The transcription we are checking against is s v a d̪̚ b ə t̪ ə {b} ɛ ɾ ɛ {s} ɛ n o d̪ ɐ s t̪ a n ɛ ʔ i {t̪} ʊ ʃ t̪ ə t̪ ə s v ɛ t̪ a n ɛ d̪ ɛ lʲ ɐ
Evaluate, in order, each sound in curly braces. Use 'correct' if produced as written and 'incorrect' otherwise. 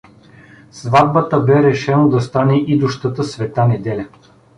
correct, incorrect: ʃ, incorrect: d̪

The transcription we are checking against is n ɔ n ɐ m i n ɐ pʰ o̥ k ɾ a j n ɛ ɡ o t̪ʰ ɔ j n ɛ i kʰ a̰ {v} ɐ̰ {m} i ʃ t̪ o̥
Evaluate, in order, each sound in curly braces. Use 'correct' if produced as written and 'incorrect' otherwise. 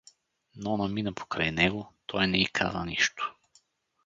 incorrect: z, incorrect: n

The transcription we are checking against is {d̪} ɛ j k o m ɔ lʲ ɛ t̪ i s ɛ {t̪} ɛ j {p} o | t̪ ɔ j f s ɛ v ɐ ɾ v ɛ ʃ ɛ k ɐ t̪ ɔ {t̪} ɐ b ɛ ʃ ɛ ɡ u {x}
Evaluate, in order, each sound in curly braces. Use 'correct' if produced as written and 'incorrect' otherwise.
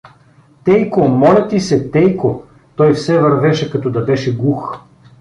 incorrect: t̪, correct, incorrect: k, incorrect: d̪, correct

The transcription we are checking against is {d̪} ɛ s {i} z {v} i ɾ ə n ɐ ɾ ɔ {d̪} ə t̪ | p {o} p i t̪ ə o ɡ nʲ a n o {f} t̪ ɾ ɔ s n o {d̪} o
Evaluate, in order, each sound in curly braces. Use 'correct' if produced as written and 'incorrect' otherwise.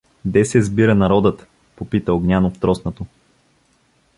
correct, incorrect: ɛ, incorrect: b, correct, correct, correct, incorrect: t̪

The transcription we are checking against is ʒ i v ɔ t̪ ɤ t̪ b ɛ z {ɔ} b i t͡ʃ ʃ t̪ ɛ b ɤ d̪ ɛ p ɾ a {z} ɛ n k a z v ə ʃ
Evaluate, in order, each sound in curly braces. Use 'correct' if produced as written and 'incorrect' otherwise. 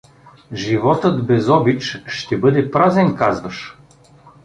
correct, correct

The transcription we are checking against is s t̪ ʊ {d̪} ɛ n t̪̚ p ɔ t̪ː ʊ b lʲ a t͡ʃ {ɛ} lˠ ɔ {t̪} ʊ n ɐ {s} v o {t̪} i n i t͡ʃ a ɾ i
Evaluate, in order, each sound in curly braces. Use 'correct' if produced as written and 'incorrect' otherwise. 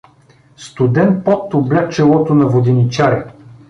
correct, correct, correct, incorrect: none, incorrect: d̪

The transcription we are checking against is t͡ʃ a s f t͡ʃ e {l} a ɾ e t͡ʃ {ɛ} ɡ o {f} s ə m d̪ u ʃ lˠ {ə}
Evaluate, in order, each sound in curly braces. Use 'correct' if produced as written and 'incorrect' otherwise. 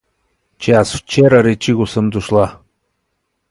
incorrect: ɾ, incorrect: i, incorrect: none, incorrect: a

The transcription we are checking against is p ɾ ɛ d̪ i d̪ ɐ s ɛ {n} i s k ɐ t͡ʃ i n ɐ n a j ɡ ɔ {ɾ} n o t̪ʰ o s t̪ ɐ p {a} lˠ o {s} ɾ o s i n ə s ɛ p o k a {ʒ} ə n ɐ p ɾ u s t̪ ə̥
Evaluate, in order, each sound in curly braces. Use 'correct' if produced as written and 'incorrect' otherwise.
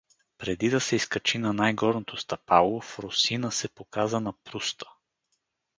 incorrect: none, correct, correct, incorrect: f, incorrect: z

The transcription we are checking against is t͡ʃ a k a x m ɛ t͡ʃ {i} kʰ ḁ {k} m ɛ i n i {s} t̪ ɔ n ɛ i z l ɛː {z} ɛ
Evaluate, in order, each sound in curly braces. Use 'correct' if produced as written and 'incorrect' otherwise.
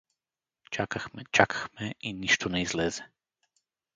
incorrect: a, incorrect: x, incorrect: ʃ, correct

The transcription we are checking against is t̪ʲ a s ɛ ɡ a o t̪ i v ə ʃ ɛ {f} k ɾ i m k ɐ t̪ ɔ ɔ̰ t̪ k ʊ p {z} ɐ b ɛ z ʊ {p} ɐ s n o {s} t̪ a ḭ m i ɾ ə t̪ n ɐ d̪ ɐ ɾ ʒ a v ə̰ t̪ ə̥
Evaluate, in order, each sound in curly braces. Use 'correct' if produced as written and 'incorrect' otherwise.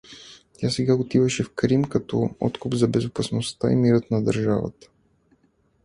correct, correct, correct, correct

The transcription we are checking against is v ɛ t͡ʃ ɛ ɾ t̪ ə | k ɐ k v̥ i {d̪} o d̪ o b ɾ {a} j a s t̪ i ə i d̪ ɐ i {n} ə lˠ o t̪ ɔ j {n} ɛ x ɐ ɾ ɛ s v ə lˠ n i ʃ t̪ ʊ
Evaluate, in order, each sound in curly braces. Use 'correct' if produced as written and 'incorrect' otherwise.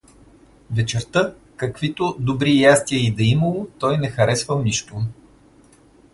incorrect: t̪, incorrect: i, incorrect: m, correct

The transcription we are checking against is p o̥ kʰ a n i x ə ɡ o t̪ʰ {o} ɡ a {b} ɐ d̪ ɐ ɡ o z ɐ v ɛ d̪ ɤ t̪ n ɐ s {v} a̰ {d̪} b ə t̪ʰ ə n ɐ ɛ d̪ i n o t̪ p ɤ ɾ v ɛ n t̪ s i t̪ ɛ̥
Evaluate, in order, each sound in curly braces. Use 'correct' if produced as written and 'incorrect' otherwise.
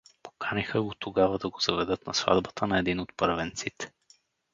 correct, incorrect: v, correct, correct

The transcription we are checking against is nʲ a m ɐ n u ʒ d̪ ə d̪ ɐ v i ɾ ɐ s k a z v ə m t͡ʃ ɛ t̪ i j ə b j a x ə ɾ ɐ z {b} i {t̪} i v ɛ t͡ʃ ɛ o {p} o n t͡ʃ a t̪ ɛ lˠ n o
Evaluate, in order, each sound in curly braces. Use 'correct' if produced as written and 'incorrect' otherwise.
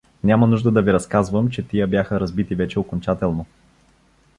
correct, correct, incorrect: k

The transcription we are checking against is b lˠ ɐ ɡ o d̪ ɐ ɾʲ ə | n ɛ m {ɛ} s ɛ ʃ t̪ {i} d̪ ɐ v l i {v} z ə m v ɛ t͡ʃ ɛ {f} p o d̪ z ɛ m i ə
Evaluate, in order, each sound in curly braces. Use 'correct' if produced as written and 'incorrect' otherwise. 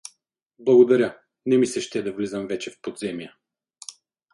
incorrect: i, incorrect: ɛ, incorrect: none, correct

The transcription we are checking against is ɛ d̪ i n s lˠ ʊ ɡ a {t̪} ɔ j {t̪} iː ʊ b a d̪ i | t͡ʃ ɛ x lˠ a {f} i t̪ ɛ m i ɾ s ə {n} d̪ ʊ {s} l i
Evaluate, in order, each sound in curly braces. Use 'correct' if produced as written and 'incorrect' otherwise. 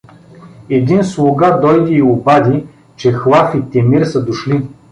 incorrect: d̪, incorrect: d̪, correct, incorrect: none, incorrect: ʃ

